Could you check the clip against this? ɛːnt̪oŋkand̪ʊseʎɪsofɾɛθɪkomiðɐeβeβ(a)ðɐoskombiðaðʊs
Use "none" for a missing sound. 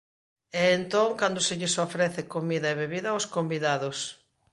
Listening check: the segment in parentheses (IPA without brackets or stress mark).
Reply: i